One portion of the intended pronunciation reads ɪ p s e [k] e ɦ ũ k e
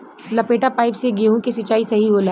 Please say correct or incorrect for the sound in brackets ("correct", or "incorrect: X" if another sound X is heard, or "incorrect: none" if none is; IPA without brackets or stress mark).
incorrect: ɡ